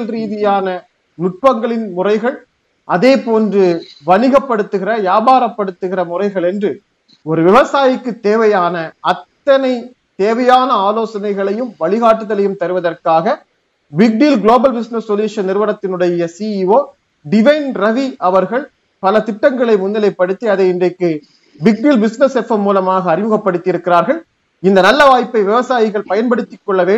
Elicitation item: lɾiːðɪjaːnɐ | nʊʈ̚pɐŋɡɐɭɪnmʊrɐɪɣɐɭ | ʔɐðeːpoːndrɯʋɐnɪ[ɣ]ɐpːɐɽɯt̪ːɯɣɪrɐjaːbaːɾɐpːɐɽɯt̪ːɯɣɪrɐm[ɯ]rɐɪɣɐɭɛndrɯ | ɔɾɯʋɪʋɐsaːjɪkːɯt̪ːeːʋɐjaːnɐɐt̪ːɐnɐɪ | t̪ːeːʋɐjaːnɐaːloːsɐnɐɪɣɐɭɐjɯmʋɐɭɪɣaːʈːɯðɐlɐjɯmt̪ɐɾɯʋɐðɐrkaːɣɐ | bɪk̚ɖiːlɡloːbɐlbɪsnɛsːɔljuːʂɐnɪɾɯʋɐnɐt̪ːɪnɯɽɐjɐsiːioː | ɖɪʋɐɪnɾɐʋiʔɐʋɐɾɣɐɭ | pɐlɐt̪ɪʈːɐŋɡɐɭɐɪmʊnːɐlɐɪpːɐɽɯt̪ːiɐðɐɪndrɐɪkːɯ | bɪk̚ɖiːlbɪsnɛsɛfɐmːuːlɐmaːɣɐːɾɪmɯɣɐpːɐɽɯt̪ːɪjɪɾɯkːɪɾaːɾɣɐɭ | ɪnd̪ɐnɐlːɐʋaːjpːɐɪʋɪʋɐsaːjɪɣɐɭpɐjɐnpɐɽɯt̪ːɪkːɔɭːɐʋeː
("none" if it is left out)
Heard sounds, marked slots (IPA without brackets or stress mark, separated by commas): ɣ, ʊ